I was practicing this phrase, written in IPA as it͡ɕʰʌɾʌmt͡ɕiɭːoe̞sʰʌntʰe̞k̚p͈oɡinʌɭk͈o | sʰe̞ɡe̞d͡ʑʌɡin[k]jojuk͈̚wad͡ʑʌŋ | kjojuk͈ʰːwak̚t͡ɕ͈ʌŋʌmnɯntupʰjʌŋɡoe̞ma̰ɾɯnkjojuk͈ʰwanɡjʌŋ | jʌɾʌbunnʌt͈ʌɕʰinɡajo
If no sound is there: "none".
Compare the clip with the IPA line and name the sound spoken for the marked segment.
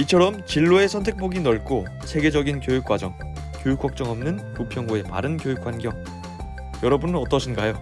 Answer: k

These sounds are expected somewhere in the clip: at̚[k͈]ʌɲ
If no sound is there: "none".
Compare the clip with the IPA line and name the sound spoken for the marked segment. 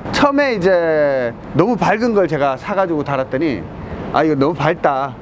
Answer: t͈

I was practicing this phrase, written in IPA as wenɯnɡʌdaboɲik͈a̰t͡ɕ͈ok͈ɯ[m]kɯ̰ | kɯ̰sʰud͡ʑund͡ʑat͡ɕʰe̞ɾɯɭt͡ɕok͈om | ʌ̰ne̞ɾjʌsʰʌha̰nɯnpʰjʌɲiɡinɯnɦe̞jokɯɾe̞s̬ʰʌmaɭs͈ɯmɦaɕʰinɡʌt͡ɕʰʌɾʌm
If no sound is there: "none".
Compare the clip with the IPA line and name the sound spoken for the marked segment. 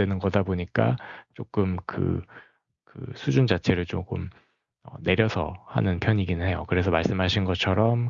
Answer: m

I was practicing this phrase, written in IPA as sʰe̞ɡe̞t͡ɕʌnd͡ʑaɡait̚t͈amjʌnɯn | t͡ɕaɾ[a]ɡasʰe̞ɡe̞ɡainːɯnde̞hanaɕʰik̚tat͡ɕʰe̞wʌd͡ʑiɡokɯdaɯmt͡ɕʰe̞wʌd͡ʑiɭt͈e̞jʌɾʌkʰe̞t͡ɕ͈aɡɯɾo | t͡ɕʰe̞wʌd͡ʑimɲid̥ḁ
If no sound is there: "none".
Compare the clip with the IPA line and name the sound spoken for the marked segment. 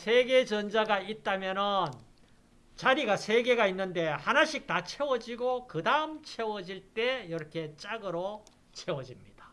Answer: i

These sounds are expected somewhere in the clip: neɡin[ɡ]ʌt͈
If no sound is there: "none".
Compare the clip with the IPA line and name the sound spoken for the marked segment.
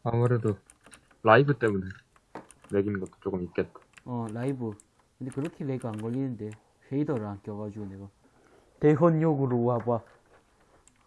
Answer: ɡ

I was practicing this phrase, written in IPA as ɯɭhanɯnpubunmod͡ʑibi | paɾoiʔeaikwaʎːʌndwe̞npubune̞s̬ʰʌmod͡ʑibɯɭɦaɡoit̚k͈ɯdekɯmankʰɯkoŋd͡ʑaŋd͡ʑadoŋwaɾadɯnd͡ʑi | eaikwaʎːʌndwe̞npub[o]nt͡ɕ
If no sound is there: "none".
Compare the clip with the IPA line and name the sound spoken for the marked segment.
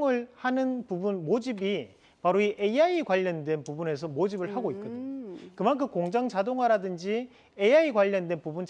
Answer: u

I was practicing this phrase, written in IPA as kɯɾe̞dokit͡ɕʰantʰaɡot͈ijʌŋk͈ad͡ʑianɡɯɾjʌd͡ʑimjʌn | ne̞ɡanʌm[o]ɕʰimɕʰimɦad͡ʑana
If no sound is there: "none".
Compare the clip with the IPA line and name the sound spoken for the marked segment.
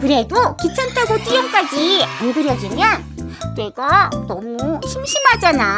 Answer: u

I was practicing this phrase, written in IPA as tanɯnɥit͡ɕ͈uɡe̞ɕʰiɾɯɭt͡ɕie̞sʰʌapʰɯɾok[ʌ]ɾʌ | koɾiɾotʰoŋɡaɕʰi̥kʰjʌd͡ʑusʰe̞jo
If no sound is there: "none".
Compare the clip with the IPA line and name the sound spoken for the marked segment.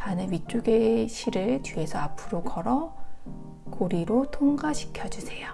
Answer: ʌ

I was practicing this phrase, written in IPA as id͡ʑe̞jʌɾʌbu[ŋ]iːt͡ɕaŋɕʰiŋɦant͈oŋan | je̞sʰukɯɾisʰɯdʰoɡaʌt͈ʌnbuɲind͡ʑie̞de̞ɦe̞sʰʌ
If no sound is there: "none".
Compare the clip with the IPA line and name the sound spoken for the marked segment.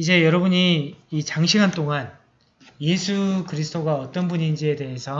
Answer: ɲ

